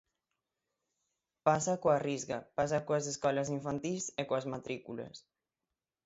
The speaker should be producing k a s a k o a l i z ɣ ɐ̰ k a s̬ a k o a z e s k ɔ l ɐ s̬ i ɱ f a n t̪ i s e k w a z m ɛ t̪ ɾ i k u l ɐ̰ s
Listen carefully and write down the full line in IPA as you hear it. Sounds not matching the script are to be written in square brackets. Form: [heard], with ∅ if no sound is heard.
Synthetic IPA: [p] a s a k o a [r] i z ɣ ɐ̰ [p] a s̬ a k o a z e s k ɔ l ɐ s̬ i ɱ f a n t̪ i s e k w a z m [a] t̪ ɾ i k u l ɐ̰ s